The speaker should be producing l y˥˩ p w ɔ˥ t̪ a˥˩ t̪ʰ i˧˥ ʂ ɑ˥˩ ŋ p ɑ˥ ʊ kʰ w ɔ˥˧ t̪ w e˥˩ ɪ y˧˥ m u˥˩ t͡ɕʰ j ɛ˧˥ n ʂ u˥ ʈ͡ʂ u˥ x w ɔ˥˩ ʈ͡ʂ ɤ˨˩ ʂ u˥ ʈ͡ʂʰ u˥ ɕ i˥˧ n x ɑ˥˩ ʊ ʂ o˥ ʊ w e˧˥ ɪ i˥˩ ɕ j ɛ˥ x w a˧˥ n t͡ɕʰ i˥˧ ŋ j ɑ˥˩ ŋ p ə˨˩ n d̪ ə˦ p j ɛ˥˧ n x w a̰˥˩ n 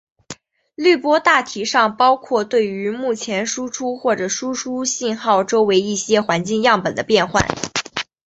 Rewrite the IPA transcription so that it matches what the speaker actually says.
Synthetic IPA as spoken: l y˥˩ p w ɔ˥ t̪ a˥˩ t̪ʰ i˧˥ ʂ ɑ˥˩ ŋ p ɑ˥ ʊ kʰ w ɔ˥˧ t̪ w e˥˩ ɪ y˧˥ m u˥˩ t͡ɕʰ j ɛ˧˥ n ʂ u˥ ʈ͡ʂʰ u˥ x w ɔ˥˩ ʈ͡ʂ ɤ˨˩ ʂ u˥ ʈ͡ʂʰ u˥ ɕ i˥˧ n x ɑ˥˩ ʊ ʈ͡ʂ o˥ ʊ w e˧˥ ɪ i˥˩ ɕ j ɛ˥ x w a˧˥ n t͡ɕ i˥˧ ŋ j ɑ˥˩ ŋ p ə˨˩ n d̪ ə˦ p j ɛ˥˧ n x w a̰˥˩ n

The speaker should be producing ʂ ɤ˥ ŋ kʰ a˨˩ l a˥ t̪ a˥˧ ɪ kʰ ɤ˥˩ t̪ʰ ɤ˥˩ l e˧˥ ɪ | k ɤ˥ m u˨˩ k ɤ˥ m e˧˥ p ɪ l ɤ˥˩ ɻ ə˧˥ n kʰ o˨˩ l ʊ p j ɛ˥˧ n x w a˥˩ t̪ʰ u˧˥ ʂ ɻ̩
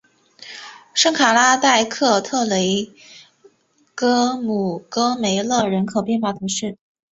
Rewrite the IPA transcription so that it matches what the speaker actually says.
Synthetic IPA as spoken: ʂ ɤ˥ ŋ kʰ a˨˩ l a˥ t̪ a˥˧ ɪ kʰ ɤ˥˧ t̪ʰ ɤ˥˩ l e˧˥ ɪ | k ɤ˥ m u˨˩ k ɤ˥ m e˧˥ ɪ l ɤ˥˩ ɻ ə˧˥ n kʰ o˨˩ ʊ p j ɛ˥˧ n x w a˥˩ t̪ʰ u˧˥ ʂ ɻ̩

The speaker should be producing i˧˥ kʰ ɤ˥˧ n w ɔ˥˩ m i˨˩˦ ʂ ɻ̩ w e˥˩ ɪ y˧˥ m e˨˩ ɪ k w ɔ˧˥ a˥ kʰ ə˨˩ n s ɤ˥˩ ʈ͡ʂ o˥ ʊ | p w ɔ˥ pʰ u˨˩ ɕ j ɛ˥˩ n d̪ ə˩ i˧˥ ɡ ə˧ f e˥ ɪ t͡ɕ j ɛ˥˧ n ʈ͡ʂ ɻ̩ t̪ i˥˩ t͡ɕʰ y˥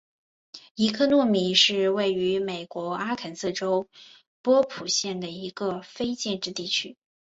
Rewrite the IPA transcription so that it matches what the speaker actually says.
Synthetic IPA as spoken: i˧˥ kʰ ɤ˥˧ n w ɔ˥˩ m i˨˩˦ ʂ ɻ̩ w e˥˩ ɪ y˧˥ m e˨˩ ɪ k w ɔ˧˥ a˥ kʰ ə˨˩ n s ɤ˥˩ ʈ͡ʂ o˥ ʊ | p w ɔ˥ pʰ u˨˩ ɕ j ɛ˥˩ n d̪ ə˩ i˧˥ ɡ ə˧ f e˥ ɪ t͡ɕ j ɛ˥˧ n ʈ͡ʂ ɻ̩ t̪ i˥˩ t͡ɕʰ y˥

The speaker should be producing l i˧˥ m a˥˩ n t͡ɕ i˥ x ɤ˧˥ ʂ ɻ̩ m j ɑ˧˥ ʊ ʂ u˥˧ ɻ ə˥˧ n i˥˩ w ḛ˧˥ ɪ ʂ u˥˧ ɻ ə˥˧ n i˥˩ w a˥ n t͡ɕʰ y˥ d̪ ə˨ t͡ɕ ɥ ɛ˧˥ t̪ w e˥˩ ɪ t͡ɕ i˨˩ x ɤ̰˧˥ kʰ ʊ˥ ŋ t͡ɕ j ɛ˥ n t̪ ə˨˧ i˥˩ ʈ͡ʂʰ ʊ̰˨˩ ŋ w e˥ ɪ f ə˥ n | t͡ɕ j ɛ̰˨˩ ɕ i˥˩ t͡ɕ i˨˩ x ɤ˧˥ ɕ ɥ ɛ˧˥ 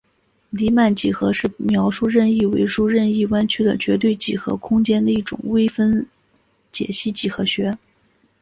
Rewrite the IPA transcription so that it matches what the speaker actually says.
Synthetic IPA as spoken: l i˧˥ m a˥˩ n t͡ɕ i˨˩ x ɤ˧˥ ʂ ɻ̩ m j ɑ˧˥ ʊ ʂ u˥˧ ɻ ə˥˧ n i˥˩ w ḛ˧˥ ɪ ʂ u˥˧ ɻ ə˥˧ n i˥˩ w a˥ n t͡ɕʰ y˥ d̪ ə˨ t͡ɕ ɥ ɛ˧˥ t̪ w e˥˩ ɪ t͡ɕ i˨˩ x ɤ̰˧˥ kʰ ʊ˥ ŋ t͡ɕ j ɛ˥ n d̪ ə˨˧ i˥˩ ʈ͡ʂ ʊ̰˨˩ ŋ w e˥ ɪ f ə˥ n | t͡ɕ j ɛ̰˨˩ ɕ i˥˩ t͡ɕ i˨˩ x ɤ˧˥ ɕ ɥ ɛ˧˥

